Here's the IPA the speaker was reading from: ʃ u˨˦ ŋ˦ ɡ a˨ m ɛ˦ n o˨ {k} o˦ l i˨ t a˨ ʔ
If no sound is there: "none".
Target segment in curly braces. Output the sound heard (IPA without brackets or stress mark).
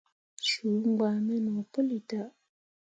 p